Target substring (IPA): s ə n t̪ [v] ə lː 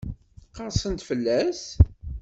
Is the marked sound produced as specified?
no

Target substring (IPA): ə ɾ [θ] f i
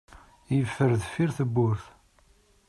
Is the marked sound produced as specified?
no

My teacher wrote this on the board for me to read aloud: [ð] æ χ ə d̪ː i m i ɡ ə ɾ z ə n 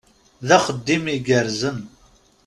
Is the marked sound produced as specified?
yes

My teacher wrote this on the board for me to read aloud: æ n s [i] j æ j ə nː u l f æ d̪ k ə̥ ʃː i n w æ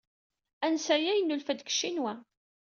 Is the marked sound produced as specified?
no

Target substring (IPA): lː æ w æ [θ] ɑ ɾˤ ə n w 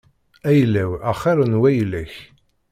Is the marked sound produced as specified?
no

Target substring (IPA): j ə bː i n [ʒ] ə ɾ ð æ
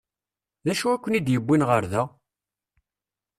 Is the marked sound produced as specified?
no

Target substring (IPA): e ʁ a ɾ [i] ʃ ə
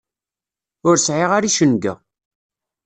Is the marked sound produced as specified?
yes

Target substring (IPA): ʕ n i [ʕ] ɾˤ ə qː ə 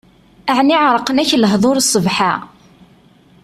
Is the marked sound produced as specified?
yes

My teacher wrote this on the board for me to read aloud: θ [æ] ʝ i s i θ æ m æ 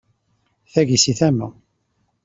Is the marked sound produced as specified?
yes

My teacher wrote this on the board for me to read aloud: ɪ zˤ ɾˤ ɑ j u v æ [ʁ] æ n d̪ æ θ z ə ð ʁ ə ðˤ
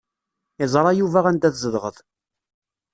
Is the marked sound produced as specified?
yes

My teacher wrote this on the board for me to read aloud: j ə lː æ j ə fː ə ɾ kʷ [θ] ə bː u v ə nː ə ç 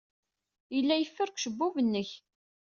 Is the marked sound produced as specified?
no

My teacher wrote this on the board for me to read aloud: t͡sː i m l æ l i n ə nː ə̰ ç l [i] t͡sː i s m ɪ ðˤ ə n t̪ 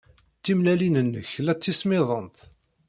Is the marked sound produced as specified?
no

